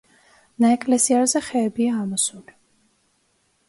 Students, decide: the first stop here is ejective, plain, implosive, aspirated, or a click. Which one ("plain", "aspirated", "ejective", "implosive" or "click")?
ejective